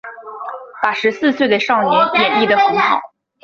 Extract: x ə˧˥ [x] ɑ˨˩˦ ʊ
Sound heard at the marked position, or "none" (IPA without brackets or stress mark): x